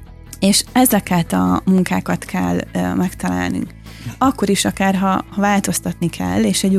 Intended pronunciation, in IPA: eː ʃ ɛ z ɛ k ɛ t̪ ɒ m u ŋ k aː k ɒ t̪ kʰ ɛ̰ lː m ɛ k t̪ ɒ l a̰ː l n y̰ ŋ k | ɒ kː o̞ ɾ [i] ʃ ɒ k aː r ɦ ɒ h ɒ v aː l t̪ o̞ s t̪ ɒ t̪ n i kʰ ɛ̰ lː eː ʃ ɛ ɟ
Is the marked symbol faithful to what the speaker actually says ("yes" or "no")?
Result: yes